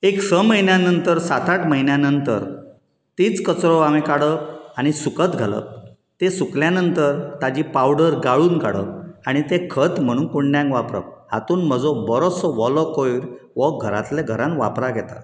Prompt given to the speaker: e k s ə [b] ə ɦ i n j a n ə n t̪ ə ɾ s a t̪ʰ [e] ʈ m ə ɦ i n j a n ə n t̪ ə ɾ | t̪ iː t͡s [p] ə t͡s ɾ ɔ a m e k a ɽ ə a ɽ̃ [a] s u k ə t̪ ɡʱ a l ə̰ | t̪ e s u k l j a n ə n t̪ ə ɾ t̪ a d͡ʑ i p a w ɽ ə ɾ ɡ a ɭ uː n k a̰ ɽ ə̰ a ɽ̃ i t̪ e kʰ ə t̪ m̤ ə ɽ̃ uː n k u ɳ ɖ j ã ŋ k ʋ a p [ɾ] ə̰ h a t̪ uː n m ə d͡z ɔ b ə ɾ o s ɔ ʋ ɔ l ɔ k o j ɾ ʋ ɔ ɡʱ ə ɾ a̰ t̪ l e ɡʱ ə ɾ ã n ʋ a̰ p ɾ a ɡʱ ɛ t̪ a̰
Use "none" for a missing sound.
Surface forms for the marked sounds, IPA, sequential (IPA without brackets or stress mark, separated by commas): m, a, k, i, ɾ